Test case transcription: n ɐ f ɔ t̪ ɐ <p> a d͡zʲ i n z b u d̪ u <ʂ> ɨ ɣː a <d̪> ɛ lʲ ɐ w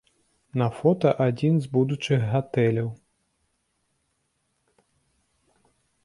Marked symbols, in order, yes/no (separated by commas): no, no, no